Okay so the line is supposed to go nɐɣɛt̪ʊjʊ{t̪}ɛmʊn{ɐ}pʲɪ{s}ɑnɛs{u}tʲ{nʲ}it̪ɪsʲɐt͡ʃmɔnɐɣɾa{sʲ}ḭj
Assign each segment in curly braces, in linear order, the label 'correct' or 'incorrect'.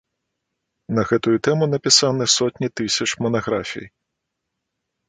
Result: correct, correct, correct, incorrect: ɔ, correct, incorrect: fʲ

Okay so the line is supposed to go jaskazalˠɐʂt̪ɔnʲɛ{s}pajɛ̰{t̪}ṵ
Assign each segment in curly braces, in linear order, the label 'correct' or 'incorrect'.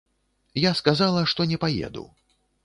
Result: incorrect: none, incorrect: d̪

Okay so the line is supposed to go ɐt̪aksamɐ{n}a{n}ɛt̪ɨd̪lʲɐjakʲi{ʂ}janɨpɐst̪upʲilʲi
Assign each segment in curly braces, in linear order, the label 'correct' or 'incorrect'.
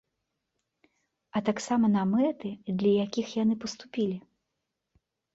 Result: correct, incorrect: m, incorrect: x

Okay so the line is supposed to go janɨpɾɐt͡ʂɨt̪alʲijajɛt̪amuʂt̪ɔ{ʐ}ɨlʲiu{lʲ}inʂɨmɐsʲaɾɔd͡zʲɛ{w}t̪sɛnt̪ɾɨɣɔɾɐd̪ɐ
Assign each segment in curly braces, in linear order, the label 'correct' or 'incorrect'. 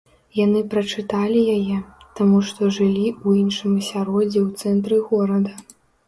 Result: correct, incorrect: none, correct

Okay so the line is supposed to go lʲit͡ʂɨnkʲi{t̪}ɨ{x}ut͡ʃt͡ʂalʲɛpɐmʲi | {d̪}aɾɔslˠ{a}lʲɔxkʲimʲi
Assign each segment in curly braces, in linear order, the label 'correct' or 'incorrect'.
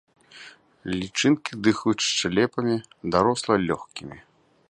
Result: incorrect: d̪, correct, correct, incorrect: ɐ

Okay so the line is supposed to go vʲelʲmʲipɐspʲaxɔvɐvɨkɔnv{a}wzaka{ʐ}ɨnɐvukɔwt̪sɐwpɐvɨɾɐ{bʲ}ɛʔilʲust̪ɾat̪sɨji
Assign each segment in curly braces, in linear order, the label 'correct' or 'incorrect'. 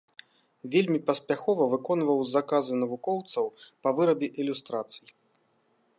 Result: incorrect: ɐ, incorrect: z, correct

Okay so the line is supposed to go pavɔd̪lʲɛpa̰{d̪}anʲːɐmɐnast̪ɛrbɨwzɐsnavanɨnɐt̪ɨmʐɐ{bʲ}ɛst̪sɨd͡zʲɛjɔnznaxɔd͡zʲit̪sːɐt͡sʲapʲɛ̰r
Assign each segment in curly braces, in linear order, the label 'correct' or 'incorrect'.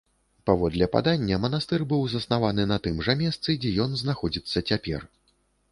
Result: correct, incorrect: mʲ

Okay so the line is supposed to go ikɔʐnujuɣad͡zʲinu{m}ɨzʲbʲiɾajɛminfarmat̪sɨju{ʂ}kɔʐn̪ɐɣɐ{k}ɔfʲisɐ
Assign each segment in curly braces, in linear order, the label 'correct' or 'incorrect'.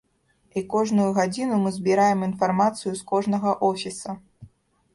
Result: correct, incorrect: s, incorrect: ʔ

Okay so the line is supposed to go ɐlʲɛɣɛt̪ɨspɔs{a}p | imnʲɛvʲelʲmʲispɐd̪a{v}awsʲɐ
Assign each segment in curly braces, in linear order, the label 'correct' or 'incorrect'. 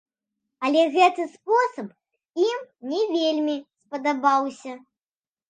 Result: incorrect: ɐ, incorrect: b

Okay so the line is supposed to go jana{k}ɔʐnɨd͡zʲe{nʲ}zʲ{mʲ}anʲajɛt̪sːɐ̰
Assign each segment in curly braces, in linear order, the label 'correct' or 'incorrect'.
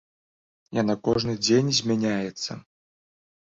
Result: correct, correct, correct

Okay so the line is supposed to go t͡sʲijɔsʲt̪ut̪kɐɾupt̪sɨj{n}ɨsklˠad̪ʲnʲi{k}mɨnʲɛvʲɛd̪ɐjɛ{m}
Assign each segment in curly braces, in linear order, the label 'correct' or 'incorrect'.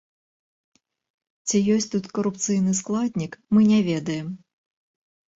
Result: correct, correct, correct

